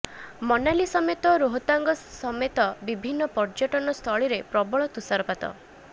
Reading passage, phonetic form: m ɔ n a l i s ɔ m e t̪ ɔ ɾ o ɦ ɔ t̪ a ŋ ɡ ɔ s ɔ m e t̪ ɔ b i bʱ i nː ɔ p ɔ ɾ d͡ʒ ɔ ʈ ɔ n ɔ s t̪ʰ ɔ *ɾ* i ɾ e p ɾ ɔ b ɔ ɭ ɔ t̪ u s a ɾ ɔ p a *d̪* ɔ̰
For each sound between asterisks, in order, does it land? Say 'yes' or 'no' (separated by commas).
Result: no, no